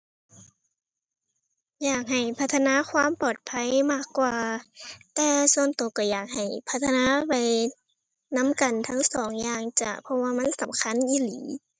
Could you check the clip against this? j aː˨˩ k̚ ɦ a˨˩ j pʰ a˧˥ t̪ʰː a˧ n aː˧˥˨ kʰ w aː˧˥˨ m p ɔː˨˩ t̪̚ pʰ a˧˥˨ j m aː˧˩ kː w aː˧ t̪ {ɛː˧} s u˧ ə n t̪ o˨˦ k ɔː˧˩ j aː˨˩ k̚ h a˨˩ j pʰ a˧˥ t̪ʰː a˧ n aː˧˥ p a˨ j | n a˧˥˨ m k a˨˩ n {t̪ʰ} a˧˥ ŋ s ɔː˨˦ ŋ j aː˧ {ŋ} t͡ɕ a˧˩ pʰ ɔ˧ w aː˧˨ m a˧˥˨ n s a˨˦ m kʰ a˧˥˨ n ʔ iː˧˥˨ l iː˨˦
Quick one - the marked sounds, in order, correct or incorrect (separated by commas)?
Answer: correct, correct, correct